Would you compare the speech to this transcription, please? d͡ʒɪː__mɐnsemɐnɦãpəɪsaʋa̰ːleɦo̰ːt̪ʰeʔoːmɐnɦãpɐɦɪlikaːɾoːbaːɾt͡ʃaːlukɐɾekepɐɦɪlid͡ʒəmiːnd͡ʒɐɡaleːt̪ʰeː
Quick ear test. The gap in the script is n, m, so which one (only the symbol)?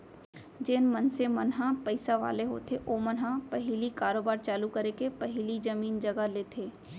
n